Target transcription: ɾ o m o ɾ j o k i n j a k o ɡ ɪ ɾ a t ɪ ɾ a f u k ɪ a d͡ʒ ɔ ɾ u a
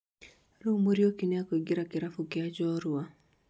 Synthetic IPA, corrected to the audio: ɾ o m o ɾ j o k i n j a k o ɡ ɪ ɾ a k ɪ ɾ a f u k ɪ a d͡ʒ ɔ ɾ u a